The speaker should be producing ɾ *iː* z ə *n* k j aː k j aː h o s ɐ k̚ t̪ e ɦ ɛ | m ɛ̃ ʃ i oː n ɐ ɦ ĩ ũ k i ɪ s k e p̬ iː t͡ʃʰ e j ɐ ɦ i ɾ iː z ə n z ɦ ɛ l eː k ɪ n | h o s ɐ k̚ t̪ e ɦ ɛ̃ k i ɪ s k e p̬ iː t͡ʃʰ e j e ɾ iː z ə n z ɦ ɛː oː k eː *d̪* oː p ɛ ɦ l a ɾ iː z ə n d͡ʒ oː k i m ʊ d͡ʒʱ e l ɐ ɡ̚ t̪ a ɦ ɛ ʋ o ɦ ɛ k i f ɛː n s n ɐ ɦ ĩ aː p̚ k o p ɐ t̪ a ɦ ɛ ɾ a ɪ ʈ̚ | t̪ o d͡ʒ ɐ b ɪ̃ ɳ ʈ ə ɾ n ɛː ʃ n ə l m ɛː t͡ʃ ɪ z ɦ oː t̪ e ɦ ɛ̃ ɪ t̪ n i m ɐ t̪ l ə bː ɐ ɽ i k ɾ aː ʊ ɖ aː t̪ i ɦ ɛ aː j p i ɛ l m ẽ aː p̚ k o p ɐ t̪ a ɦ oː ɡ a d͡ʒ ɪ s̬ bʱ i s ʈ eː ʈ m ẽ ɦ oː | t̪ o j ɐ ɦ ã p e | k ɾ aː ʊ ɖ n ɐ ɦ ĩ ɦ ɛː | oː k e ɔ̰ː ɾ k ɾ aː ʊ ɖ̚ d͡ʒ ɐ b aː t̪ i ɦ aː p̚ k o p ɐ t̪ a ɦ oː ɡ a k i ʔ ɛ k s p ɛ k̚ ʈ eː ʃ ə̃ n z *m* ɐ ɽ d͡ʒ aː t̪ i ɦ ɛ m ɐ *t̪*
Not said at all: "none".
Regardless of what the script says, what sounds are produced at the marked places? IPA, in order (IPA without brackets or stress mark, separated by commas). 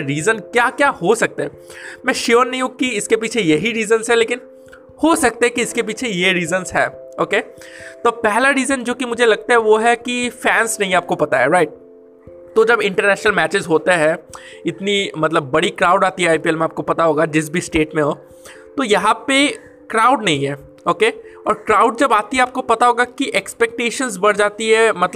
iː, n, t̪, b, t̪